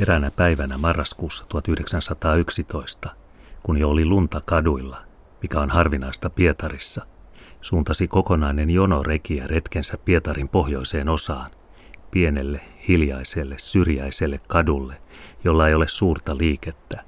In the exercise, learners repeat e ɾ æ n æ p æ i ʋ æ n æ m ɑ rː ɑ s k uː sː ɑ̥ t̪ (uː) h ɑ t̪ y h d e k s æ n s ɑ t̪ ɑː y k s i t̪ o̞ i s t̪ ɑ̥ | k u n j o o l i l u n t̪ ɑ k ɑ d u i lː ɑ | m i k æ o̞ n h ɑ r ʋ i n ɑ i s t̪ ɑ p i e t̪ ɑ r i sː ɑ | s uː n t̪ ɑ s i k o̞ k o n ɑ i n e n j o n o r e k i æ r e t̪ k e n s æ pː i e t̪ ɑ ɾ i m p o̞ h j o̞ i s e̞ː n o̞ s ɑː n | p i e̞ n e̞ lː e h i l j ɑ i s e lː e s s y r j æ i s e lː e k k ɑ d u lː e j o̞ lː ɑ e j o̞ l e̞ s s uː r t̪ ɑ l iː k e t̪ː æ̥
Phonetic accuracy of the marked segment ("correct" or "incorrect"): incorrect